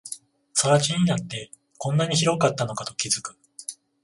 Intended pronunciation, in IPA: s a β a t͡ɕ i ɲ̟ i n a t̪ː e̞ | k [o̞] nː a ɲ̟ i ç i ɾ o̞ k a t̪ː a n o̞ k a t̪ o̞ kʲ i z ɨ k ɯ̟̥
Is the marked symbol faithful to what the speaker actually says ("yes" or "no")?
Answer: no